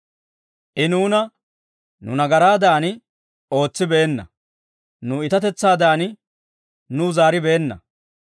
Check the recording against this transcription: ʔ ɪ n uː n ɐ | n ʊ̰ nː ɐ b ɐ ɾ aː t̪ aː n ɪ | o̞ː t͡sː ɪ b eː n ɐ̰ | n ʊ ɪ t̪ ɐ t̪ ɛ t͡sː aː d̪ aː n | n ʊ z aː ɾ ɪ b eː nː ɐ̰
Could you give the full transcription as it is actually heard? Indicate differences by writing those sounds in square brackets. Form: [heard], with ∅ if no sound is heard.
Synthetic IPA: ʔ ɪ n uː n ɐ | n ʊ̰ [n] ɐ [ɡ] ɐ ɾ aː [d̪] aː n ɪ | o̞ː t͡sː ɪ b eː [nː] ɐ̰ | n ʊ ɪ t̪ ɐ t̪ ɛ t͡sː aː d̪ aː n | n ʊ z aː ɾ ɪ b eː nː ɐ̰